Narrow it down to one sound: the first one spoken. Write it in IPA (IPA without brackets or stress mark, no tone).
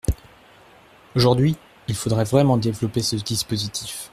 o